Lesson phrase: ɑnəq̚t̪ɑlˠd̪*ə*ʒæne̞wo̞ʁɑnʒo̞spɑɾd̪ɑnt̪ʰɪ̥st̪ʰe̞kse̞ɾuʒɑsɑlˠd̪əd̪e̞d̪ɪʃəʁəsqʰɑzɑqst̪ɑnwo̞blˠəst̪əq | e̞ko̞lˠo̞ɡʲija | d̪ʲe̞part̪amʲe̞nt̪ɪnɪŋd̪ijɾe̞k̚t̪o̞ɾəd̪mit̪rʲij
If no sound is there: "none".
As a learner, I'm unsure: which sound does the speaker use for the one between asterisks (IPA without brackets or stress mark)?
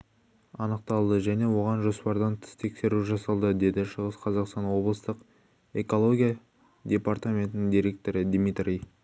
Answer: ə